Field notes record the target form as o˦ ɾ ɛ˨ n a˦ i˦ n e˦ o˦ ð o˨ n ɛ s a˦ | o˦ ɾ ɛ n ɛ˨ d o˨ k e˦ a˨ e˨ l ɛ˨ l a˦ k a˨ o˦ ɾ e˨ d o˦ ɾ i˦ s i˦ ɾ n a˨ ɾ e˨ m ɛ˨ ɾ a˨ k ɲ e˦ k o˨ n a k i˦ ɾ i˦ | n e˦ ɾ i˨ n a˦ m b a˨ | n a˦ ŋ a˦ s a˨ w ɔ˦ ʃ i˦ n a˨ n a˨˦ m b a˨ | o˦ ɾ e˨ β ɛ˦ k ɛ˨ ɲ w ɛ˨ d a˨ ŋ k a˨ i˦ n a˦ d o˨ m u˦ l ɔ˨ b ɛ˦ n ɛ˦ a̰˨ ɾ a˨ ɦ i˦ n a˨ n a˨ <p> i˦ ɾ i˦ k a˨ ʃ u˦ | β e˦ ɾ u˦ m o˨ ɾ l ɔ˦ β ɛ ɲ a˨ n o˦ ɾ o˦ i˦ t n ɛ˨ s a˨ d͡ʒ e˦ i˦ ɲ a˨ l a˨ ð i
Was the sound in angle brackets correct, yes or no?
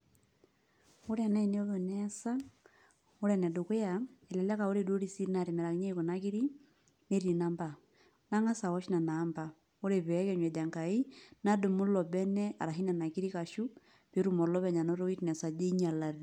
no